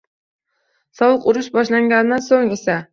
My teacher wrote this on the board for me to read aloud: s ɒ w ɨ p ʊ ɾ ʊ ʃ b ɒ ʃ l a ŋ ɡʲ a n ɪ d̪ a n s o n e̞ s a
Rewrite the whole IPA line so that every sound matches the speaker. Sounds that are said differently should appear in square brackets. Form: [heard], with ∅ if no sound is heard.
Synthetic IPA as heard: s ɒ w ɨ [q] ʊ ɾ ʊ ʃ b ɒ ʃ l a ŋ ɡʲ a n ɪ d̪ a n s o [ŋ] e̞ s a

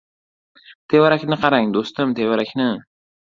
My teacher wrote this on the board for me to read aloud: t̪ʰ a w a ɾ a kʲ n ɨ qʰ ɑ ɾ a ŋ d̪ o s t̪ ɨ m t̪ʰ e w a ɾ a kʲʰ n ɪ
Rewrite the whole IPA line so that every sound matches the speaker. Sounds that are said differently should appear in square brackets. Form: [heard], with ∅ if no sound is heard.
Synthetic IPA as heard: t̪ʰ [e] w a ɾ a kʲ n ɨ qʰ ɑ ɾ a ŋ d̪ o s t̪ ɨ m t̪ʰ e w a ɾ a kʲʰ n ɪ

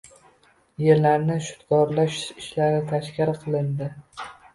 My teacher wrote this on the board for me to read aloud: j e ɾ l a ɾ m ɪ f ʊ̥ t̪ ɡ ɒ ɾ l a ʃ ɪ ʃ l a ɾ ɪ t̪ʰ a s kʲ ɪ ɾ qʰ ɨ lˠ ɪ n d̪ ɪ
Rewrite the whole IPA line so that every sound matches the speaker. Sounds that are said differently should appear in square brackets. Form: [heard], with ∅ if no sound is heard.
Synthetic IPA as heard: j e ɾ l a ɾ [n] ɪ [ʃ] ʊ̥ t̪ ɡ ɒ ɾ l a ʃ ɪ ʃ l a ɾ ɪ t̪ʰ a [ʃ] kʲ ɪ ɾ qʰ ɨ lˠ ɪ n d̪ ɪ

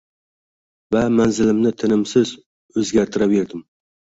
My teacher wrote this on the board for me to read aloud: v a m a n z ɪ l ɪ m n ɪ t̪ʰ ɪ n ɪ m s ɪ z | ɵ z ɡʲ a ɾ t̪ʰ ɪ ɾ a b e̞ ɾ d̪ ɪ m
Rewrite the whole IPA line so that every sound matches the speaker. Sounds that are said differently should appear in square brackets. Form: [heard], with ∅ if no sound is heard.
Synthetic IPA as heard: v a m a n z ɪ l ɪ m n ɪ t̪ʰ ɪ n ɪ m s ɪ z | ɵ z ɡʲ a ɾ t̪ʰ ɪ ɾ a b e̞ ɾ d̪ ɪ m

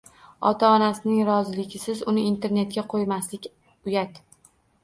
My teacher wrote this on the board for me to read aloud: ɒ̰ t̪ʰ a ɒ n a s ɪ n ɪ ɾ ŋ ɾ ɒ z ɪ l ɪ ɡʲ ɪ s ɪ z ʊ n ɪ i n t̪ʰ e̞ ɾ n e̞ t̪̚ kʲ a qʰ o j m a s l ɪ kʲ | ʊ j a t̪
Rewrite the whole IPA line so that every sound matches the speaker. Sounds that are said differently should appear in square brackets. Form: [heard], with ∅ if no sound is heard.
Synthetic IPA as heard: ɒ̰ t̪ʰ a ɒ n a s ɪ n ɪ [∅] ŋ ɾ ɒ z ɪ l ɪ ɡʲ ɪ s ɪ z ʊ n ɪ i n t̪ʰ e̞ ɾ n e̞ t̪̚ kʲ a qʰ o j m a s l ɪ kʲ | ʊ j a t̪

